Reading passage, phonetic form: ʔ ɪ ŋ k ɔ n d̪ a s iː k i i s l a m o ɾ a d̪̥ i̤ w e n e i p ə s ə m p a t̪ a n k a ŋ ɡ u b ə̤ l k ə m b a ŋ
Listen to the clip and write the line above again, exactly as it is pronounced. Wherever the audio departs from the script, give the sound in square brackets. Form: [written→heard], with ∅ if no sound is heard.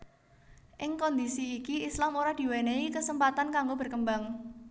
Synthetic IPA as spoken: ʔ ɪ ŋ k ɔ n d̪ [a→i] s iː k i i s l a m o ɾ a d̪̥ i̤ w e n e i [p→k] ə s ə m p a t̪ a n k a ŋ ɡ [u→o] b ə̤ [l→r] k ə m b a ŋ